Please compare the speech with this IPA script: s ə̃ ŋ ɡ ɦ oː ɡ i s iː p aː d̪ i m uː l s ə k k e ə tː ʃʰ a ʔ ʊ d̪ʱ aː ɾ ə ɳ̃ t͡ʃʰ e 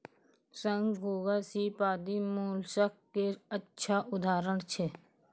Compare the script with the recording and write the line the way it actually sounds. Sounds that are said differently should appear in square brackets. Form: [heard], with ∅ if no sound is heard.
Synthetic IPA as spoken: s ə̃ ŋ ɡ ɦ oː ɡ [a] s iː p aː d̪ i m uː l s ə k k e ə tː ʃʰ a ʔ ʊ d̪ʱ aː ɾ ə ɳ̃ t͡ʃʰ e